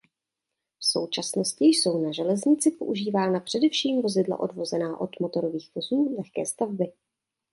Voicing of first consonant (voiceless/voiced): voiceless